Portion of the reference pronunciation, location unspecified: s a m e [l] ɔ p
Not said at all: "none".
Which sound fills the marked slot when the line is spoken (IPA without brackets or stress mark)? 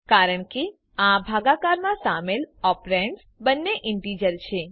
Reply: l